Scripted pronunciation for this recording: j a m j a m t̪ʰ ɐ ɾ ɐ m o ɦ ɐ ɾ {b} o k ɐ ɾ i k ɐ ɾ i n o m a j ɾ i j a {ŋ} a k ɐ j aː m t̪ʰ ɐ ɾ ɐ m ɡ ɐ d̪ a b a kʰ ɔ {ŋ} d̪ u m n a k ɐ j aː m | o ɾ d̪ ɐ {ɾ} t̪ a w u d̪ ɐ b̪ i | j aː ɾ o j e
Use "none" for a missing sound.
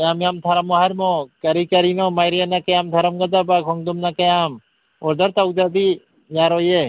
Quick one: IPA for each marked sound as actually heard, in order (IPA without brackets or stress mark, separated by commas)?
m, n, ŋ, ɾ